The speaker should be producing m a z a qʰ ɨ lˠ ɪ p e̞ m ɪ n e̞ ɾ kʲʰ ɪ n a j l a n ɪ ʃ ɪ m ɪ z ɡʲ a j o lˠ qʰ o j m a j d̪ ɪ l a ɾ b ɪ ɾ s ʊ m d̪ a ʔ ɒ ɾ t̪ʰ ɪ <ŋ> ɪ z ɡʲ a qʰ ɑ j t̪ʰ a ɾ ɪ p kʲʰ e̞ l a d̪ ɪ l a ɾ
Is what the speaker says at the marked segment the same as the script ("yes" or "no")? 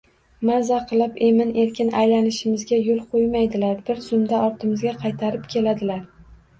no